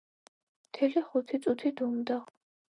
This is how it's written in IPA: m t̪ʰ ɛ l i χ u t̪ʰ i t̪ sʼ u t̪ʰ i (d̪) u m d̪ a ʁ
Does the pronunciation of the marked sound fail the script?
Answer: no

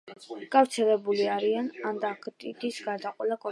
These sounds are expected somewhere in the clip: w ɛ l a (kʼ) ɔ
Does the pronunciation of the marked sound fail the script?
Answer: no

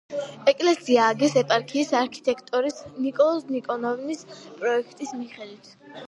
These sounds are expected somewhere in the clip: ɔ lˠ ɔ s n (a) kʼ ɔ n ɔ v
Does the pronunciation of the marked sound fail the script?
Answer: yes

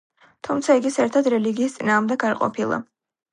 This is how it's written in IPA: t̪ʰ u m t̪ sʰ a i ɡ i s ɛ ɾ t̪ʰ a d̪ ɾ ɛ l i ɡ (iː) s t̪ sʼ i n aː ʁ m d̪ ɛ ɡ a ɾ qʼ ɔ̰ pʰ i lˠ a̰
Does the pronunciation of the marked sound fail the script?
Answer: no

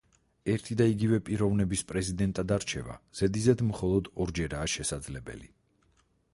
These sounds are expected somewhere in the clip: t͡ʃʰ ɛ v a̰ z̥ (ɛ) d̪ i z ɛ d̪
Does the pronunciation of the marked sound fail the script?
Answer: no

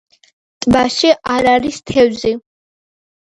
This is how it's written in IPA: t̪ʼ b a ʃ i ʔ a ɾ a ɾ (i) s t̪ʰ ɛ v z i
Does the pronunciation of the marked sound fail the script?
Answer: no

